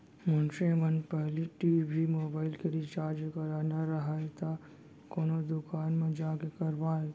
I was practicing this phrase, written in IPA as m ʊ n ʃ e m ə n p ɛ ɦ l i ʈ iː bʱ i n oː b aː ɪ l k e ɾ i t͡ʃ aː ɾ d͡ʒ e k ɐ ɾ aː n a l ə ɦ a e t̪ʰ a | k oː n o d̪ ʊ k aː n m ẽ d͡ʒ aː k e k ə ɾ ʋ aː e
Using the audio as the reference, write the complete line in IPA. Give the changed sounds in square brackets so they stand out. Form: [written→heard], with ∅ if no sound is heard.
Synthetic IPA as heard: m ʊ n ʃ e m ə n p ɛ ɦ l i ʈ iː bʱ i [n→m] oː b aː ɪ l k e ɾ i t͡ʃ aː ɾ d͡ʒ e k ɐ ɾ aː n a [l→ɾ] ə ɦ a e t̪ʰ a | k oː n o d̪ ʊ k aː n m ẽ d͡ʒ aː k e k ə ɾ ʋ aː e